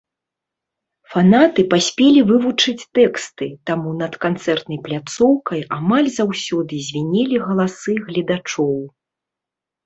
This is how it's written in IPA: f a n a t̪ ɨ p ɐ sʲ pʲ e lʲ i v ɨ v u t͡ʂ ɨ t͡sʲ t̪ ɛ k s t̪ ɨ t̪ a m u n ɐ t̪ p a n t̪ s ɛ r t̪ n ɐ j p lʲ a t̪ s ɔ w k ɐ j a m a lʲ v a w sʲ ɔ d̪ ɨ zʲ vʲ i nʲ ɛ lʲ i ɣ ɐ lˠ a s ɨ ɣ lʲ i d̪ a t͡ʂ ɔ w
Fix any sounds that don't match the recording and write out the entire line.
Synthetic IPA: f a n a t̪ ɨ p a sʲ pʲ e lʲ i v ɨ v u t͡ʂ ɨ t͡sʲ t̪ ɛ k s t̪ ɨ t̪ a m u n ɐ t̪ k a n t̪ s ɛ r t̪ n ɐ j p lʲ a t̪ s ɔ w k ɐ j a m a lʲ z a w sʲ ɔ d̪ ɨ zʲ vʲ i nʲ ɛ lʲ i ɣ ɐ lˠ a s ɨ ɣ lʲ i d̪ a t͡ʂ ɔ w